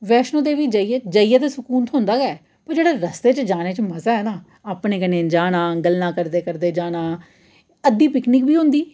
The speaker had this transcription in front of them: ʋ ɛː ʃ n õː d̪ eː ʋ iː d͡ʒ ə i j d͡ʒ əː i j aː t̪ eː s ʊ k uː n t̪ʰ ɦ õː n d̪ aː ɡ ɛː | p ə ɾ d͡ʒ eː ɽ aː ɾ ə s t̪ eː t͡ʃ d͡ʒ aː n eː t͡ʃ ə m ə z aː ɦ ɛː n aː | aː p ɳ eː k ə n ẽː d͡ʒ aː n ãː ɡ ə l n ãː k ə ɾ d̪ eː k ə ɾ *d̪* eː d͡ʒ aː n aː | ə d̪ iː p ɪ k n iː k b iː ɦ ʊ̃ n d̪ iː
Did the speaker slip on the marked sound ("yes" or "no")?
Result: no